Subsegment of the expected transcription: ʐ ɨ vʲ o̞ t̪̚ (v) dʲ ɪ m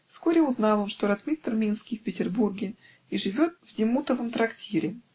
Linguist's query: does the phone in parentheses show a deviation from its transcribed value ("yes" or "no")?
no